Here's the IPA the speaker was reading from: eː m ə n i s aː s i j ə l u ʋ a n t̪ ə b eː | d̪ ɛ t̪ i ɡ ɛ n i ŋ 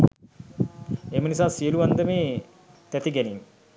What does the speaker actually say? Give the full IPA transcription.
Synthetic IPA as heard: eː m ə n i s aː s i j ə l u ʋ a n d̪ ə m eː | t̪ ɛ t̪ i ɡ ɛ n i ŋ